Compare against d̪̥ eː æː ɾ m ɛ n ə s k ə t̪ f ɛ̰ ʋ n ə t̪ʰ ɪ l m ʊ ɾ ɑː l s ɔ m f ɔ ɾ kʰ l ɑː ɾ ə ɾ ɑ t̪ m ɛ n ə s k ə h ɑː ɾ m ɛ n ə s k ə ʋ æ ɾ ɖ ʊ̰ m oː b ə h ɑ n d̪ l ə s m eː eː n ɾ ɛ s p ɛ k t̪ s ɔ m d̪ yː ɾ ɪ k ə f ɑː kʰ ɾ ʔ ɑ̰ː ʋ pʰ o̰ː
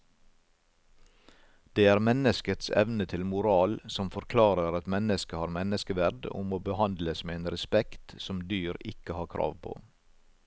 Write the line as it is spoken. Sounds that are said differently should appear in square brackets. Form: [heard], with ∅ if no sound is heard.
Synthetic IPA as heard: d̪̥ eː æː ɾ m ɛ n ə s k ə t̪ [s] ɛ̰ ʋ n ə t̪ʰ ɪ l m ʊ ɾ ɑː l s ɔ m f ɔ ɾ kʰ l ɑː ɾ ə ɾ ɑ t̪ m ɛ n ə s k ə h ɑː ɾ m ɛ n ə s k ə ʋ æ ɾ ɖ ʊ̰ m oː b ə h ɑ n d̪ l ə s m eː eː n ɾ ɛ s p ɛ k t̪ s ɔ m d̪ yː ɾ ɪ k ə [h] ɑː kʰ ɾ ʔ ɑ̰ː ʋ pʰ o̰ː